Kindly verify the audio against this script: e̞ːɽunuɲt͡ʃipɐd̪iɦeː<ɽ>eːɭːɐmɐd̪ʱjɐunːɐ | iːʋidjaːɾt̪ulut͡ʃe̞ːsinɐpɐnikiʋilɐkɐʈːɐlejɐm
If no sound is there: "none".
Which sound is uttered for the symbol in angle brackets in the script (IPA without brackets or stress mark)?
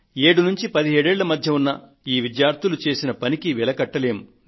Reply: ɽ